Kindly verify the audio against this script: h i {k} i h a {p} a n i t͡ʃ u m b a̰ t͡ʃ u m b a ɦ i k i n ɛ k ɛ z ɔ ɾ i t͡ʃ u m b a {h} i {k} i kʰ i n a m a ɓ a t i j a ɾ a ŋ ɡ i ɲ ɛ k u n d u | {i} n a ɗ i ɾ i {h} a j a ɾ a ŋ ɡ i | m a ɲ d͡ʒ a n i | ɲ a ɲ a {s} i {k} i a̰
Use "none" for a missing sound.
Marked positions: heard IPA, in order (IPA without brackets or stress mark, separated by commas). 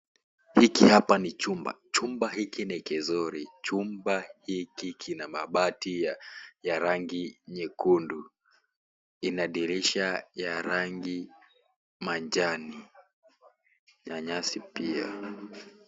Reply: k, p, h, k, i, ʃ, s, p